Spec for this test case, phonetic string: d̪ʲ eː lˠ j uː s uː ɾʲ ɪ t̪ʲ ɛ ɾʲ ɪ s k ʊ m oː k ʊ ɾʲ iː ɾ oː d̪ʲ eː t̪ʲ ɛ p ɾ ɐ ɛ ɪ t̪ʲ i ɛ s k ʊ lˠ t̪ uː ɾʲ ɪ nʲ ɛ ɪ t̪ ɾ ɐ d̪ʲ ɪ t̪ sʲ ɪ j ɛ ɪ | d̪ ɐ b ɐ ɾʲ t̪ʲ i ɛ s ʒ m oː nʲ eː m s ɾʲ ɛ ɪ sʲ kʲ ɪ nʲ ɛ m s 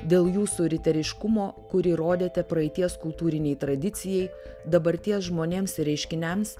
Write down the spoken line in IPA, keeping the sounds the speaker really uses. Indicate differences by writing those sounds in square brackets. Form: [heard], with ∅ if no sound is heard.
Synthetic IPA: d̪ʲ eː lˠ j uː s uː ɾʲ ɪ t̪ʲ ɛ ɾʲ ɪ [ʃ] k ʊ m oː k ʊ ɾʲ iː ɾ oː d̪ʲ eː t̪ʲ ɛ p ɾ ɐ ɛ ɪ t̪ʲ i ɛ s k ʊ lˠ t̪ uː ɾʲ ɪ nʲ ɛ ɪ t̪ ɾ ɐ d̪ʲ ɪ t̪ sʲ ɪ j ɛ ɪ | d̪ ɐ b ɐ ɾʲ t̪ʲ i ɛ s ʒ m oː nʲ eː m s ɾʲ ɛ ɪ [ʃʲ] kʲ ɪ nʲ ɛ m s